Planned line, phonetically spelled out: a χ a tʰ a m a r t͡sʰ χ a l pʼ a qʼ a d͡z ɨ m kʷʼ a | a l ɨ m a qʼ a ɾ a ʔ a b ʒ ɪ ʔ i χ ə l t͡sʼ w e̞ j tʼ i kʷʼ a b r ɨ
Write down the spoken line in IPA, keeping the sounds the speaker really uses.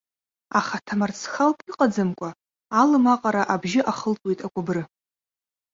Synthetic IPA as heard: a χ a tʰ a m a r t͡sʰ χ a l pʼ i qʼ a d͡z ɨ m kʷʼ a | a l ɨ m a qʼ a ɾ a ʔ a b ʒ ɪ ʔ a χ ə l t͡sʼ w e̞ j tʼ a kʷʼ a b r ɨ

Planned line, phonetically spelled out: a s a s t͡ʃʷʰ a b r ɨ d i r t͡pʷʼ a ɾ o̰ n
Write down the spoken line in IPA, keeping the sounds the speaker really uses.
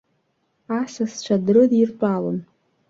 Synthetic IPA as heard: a s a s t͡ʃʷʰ a d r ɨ d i r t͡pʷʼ a l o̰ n

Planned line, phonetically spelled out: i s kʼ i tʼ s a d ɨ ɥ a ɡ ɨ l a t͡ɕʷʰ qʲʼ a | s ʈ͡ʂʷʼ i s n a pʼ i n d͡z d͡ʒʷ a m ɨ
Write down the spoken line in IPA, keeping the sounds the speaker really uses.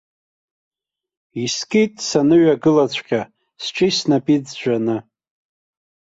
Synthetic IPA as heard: i s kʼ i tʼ s a n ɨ ɥ a ɡ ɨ l a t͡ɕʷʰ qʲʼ a | s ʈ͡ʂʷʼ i s n a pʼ i d͡z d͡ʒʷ a n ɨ

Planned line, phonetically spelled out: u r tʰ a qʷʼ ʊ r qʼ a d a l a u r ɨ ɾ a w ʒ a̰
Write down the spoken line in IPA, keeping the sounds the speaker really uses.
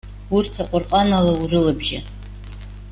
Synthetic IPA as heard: u r tʰ a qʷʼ ʊ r qʼ a n a l a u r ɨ l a b ʒ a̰

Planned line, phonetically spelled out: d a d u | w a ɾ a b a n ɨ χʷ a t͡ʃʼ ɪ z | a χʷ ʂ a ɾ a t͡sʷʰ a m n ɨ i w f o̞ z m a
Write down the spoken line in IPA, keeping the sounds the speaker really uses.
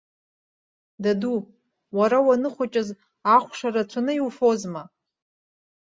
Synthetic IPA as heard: d a d u | w a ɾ a w a n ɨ χʷ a t͡ʃʼ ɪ z | a χʷ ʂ a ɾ a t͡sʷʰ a n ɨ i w f o̞ z m a

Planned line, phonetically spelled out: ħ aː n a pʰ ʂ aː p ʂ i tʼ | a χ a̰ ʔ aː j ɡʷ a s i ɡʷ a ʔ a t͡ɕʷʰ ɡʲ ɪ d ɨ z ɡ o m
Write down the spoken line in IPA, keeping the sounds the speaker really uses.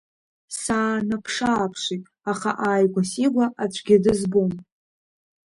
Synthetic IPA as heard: s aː n a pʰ ʂ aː pʰ ʂ i tʼ | a χ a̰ ʔ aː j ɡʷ a s i ɡʷ a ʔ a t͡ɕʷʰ ɡʲ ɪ d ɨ z b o m

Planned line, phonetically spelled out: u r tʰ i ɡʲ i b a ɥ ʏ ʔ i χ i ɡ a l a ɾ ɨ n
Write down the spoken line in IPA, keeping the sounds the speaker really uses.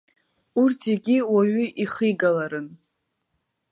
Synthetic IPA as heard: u r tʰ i ɡʲ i w a ɥ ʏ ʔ i χ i ɡ a l a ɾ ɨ n

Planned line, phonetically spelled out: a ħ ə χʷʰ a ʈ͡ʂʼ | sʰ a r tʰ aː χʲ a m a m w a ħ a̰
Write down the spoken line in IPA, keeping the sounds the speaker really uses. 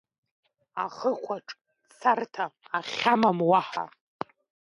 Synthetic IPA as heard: a χ ə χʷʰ a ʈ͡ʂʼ | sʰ a r tʰ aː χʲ a m a m w a ħ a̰

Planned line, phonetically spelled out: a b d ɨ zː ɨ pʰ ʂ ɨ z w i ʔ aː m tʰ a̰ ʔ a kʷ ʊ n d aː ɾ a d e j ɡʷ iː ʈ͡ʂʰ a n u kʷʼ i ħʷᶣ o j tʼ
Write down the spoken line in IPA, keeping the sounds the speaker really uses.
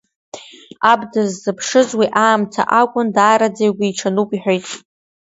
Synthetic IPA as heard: a b d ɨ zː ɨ pʰ ʂ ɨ z w i ʔ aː m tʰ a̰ ʔ a kʷʼ ʊ n d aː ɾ a d͡z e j ɡʷ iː ʈ͡ʂʰ a n u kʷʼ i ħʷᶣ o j tʼ

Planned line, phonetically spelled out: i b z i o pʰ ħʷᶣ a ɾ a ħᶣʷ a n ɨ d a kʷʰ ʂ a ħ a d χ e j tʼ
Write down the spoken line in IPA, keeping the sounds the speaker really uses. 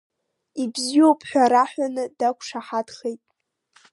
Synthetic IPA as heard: i b z i o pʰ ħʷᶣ a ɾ a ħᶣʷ a n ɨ d a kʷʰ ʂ a ħ a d χ e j tʼ

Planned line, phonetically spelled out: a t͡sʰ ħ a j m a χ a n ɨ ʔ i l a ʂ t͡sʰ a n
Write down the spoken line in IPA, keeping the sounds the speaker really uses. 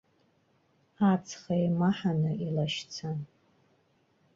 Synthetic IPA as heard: a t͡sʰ χ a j m a ħ a n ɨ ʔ i l a ʃ t͡sʰ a n

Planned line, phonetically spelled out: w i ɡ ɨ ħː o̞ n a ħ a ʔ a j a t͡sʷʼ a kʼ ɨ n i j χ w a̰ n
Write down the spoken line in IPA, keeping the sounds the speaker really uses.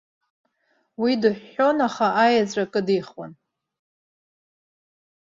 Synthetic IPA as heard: w i d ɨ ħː o̞ n a χ a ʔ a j a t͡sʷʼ a kʼ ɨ d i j χ w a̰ n

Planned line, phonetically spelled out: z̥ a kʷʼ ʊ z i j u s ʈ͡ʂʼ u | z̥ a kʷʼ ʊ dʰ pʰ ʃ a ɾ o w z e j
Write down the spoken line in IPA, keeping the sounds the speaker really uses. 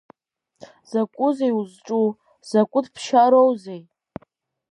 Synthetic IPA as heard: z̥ a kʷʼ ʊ z e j u z ʈ͡ʂʼ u | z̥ a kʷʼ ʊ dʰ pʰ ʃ a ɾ o w z e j

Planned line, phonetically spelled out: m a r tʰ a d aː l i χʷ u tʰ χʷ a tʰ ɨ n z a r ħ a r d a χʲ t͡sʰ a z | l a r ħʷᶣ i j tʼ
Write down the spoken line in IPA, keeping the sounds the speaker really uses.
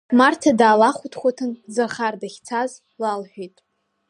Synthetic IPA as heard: m a r tʰ a d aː l a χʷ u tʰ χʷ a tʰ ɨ n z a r χ a r d a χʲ t͡sʰ a z | l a l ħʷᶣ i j tʼ

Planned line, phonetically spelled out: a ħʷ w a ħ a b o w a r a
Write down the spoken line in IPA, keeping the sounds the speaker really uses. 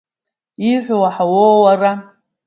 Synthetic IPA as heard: i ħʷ w a ħ a w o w a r a

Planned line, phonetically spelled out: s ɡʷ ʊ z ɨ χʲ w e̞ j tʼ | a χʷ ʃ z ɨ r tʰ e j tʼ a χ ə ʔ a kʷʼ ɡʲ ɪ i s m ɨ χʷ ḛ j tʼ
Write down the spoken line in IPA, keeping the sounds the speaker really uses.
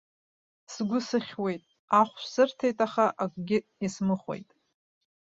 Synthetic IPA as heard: s ɡʷ ʊ s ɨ χʲ w e̞ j tʼ | a χʷ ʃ s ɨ r tʰ e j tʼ a χ a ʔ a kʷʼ ɡʲ ɪ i s m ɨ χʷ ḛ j tʼ

